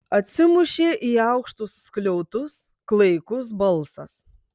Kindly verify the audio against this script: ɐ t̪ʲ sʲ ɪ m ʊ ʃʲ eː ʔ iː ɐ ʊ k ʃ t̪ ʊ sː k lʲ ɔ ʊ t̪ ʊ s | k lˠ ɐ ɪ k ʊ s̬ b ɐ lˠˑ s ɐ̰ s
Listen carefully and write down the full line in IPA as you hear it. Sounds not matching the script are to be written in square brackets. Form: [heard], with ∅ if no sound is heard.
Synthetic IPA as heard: ɐ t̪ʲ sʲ ɪ m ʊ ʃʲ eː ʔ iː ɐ ʊ k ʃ t̪ ʊ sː k lʲ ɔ ʊ t̪ ʊ s | k lˠ ɐ ɪ k ʊ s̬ b ɐ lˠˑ s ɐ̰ s